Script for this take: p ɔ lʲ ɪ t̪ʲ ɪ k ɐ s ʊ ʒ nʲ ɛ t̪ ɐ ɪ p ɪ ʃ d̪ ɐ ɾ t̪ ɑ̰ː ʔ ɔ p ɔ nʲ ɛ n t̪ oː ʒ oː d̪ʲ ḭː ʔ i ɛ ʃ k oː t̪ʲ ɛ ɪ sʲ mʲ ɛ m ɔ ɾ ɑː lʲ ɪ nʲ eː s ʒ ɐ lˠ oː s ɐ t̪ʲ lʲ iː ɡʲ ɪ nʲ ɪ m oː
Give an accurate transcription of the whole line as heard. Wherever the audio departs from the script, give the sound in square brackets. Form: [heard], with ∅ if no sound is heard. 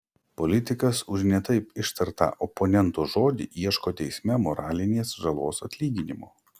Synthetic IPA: p ɔ lʲ ɪ t̪ʲ ɪ k ɐ s ʊ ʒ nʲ ɛ t̪ ɐ ɪ p ɪ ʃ [t̪] ɐ ɾ t̪ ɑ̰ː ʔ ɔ p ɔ nʲ ɛ n t̪ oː ʒ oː d̪ʲ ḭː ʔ i ɛ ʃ k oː t̪ʲ ɛ ɪ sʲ mʲ ɛ m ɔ ɾ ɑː lʲ ɪ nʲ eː s ʒ ɐ lˠ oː s ɐ t̪ʲ lʲ iː ɡʲ ɪ nʲ ɪ m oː

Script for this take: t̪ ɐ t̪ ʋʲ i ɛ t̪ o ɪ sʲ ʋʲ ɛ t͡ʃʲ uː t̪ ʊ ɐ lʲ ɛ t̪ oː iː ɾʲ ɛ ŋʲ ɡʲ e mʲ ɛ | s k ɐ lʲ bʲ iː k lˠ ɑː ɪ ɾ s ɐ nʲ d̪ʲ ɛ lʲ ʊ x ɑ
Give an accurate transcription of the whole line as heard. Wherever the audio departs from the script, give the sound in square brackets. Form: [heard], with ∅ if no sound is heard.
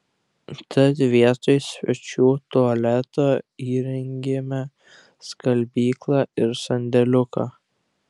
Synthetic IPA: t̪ ɐ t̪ ʋʲ i ɛ t̪ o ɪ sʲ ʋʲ ɛ t͡ʃʲ uː t̪ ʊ ɐ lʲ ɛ t̪ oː iː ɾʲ ɛ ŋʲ ɡʲ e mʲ ɛ | s k ɐ lʲ bʲ iː k lˠ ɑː ɪ ɾ s ɐ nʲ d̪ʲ ɛ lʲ ʊ [k] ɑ

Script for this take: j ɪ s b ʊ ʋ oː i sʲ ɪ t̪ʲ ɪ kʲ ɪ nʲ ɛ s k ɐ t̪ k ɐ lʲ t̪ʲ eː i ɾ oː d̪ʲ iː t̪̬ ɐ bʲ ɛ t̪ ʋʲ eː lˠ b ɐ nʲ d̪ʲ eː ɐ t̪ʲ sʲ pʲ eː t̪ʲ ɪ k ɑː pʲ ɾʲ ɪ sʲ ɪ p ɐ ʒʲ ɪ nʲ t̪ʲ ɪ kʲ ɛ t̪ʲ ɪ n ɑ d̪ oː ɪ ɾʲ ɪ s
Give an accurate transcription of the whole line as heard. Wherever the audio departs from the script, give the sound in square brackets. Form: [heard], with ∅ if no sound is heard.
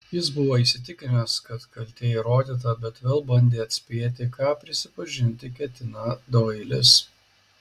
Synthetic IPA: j ɪ s b ʊ ʋ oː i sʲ ɪ t̪ʲ ɪ kʲ ɪ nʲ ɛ s k ɐ t̪ k ɐ lʲ t̪ʲ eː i ɾ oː d̪ʲ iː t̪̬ ɐ bʲ ɛ t̪ ʋʲ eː lˠ b ɐ nʲ d̪ʲ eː ɐ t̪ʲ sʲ pʲ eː t̪ʲ ɪ k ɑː pʲ ɾʲ ɪ sʲ ɪ p ɐ ʒʲ ɪ nʲ t̪ʲ ɪ kʲ ɛ t̪ʲ ɪ n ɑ d̪ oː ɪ [lʲ] ɪ s

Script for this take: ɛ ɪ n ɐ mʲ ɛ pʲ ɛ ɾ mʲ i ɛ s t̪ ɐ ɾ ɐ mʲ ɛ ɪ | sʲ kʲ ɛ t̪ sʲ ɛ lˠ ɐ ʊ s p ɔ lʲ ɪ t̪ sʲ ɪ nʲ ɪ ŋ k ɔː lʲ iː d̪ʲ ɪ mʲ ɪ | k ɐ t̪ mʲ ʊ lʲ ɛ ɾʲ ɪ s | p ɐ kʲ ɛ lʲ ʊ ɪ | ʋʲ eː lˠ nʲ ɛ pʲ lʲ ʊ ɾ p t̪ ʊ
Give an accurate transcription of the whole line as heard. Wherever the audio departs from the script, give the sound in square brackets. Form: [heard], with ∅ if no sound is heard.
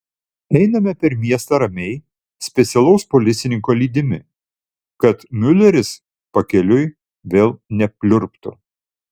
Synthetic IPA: ɛ ɪ n ɐ mʲ ɛ pʲ ɛ ɾ mʲ i ɛ s t̪ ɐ ɾ ɐ mʲ ɛ ɪ | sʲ [pʲ] ɛ t̪ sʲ ɛ lˠ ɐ ʊ s p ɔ lʲ ɪ t̪ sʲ ɪ nʲ ɪ ŋ k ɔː lʲ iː d̪ʲ ɪ mʲ ɪ | k ɐ t̪ mʲ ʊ lʲ ɛ ɾʲ ɪ s | p ɐ kʲ ɛ lʲ ʊ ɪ | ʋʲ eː lˠ nʲ ɛ pʲ lʲ ʊ ɾ p t̪ ʊ

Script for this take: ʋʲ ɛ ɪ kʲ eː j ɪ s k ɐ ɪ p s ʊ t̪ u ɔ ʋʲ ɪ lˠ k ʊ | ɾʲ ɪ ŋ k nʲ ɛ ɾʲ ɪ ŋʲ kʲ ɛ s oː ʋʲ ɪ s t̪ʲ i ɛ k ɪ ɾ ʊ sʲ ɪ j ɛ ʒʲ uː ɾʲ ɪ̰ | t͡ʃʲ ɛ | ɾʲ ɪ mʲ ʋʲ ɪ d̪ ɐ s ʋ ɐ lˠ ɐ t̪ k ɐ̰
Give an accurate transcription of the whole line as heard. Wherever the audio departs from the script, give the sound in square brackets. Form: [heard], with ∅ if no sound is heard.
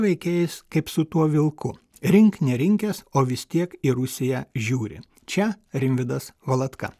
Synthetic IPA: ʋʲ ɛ ɪ kʲ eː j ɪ s k ɐ ɪ p s ʊ t̪ u ɔ ʋʲ ɪ lˠ k ʊ | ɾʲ ɪ ŋ k nʲ ɛ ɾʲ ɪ ŋʲ kʲ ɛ s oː ʋʲ ɪ s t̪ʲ i ɛ k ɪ ɾ ʊ sʲ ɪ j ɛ ʒʲ uː ɾʲ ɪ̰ | t͡ʃʲ ɛ | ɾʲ ɪ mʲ ʋʲ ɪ d̪ ɐ s ʋ ɐ lˠ ɐ t̪ k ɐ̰

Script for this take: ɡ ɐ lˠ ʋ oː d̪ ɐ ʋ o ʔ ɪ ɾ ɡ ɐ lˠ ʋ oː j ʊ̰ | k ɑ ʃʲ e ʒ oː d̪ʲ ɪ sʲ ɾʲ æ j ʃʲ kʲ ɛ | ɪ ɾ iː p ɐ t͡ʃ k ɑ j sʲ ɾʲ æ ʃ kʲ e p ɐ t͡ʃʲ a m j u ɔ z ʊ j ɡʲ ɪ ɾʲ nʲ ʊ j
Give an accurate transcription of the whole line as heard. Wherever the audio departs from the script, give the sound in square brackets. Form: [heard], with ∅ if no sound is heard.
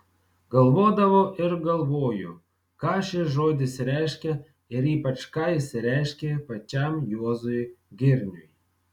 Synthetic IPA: ɡ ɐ lˠ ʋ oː d̪ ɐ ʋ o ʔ ɪ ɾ ɡ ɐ lˠ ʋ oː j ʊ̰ | k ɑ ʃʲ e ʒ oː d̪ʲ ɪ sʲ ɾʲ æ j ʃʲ kʲ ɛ | ɪ ɾ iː p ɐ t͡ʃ k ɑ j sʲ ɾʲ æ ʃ kʲ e p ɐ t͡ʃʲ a m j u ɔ z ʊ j ɡʲ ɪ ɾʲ nʲ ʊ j

